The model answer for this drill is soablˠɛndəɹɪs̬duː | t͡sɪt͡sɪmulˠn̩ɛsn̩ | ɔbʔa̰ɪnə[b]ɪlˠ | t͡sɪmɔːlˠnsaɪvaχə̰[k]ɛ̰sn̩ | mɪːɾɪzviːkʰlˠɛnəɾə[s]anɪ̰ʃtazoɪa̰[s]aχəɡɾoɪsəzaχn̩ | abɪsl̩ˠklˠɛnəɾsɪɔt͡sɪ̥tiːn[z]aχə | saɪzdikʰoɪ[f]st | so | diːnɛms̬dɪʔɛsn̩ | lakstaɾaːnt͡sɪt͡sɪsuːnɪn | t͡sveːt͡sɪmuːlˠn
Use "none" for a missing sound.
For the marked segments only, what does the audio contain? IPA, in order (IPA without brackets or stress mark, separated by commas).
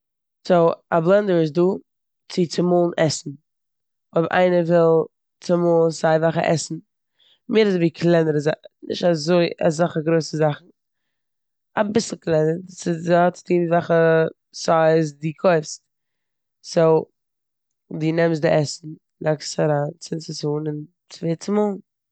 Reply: v, ʔ, z, z, v, f